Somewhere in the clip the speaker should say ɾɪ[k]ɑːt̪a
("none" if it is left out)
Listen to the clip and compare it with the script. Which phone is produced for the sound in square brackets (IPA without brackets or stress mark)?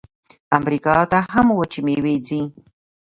k